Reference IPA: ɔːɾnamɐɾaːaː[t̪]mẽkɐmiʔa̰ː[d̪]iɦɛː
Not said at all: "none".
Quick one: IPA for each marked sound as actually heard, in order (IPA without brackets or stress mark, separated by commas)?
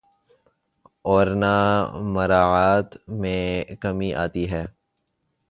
t̪, t̪